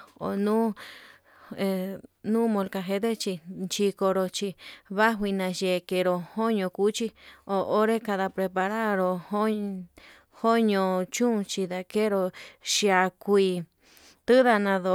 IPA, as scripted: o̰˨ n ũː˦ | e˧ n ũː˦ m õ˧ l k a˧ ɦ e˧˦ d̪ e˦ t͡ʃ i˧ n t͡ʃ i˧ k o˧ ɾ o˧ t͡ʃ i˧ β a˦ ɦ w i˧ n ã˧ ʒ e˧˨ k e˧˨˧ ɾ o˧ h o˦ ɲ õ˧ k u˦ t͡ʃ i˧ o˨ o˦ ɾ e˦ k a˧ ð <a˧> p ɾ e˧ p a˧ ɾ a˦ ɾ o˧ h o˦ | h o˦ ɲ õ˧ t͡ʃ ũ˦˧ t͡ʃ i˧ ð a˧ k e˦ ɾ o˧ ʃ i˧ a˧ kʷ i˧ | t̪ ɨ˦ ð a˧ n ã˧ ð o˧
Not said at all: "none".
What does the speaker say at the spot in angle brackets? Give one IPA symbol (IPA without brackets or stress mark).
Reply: a˧